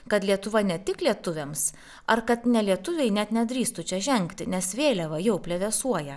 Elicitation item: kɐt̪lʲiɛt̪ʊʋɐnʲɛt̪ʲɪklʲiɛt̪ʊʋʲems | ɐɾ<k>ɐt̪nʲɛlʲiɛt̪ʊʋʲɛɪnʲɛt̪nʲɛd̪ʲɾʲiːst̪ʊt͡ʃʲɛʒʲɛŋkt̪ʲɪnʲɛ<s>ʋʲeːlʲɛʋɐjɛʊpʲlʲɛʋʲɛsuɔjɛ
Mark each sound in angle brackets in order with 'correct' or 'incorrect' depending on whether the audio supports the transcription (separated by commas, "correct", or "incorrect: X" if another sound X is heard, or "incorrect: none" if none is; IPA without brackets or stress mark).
correct, correct